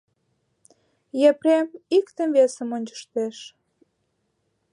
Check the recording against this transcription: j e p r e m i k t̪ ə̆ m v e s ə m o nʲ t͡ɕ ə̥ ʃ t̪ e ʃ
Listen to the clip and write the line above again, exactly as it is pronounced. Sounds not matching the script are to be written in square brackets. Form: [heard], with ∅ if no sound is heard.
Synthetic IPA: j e p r e m i k t̪ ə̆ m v e s ə m o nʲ t͡ɕ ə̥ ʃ t̪ e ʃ